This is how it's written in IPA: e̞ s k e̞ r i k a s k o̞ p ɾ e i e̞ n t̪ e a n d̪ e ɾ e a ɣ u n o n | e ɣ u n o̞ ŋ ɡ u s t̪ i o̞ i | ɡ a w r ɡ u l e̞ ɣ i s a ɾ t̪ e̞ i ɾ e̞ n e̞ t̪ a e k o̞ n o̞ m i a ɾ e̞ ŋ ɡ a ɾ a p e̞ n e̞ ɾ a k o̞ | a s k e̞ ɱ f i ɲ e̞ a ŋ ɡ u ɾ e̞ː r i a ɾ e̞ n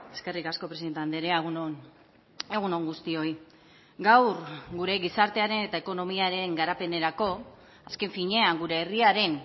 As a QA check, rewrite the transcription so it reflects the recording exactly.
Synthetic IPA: e̞ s k e̞ r i k a s k o̞ p ɾ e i e̞ n t̪ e a n d̪ e ɾ e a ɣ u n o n | e ɣ u n o̞ ŋ ɡ u s t̪ i o̞ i | ɡ a w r ɡ u ɾ e̞ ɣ i s a ɾ t̪ e̞ a ɾ e̞ n e̞ t̪ a e k o̞ n o̞ m i a ɾ e̞ ŋ ɡ a ɾ a p e̞ n e̞ ɾ a k o̞ | a s k e̞ ɱ f i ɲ e̞ a ŋ ɡ u ɾ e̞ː r i a ɾ e̞ n